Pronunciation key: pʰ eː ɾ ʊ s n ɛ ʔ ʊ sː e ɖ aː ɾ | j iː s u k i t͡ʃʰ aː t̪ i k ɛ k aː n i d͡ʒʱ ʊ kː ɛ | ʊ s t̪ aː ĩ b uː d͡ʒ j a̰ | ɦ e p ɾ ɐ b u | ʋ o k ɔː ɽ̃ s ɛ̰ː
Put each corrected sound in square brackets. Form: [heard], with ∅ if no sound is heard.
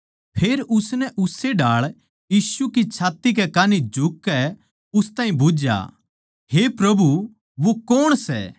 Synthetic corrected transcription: pʰ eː ɾ ʊ s n ɛ ʔ ʊ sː e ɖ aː [ɭ] | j iː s u k i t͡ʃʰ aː t̪ i k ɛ k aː n i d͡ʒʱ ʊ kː ɛ | ʊ s t̪ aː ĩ b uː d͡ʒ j a̰ | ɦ e p ɾ ɐ b u | ʋ o k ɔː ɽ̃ s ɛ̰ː